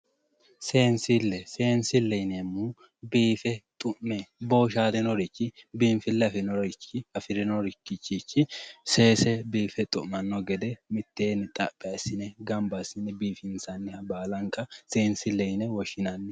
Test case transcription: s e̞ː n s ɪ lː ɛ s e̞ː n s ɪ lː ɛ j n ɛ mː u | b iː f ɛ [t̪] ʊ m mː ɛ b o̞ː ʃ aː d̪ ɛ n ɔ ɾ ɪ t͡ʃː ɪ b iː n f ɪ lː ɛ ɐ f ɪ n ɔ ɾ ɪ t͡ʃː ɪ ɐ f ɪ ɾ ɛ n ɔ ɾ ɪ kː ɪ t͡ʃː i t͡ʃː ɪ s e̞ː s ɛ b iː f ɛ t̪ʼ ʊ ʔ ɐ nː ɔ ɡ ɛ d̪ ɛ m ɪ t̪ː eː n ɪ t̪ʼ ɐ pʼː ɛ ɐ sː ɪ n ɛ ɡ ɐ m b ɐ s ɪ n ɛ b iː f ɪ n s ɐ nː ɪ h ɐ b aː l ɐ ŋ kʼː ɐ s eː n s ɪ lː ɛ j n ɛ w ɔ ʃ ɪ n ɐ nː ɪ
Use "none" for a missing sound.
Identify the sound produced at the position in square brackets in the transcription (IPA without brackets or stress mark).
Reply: t̪ʼ